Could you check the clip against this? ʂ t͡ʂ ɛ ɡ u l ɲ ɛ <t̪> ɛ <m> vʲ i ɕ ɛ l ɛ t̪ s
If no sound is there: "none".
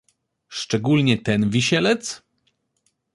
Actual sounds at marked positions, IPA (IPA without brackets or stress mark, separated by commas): t̪, n